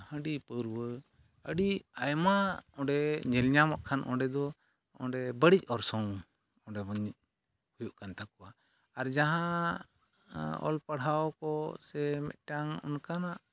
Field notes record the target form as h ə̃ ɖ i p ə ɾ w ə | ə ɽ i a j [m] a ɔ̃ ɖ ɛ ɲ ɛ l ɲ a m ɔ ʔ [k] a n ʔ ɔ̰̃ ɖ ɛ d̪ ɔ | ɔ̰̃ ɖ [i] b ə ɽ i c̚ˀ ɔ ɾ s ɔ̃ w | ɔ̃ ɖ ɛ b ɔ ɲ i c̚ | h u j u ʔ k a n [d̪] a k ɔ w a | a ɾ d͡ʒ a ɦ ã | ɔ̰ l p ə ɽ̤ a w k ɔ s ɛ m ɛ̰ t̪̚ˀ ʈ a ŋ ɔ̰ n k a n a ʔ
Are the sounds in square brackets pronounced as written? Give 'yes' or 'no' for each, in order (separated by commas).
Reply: yes, no, no, no